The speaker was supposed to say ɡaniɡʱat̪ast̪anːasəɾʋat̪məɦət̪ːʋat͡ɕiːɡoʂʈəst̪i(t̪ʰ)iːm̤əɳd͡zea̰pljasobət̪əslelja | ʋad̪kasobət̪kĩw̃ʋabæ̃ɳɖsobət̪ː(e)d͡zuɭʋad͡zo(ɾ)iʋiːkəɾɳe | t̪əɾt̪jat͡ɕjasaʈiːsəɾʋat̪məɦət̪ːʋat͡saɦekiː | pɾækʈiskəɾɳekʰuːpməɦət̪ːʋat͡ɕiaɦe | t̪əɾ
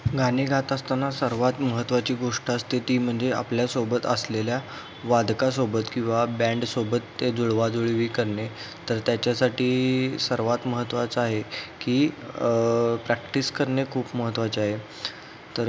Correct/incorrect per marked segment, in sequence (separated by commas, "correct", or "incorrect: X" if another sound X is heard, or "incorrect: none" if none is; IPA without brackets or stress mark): incorrect: t̪, correct, incorrect: ɭ